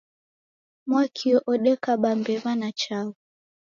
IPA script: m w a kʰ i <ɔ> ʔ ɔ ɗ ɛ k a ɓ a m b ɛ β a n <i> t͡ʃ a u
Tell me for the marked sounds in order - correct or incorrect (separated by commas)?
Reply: correct, incorrect